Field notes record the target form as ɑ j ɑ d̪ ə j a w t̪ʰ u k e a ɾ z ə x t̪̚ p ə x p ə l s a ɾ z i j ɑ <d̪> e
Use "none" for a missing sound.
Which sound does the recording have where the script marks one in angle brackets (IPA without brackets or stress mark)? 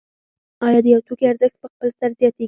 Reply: t̪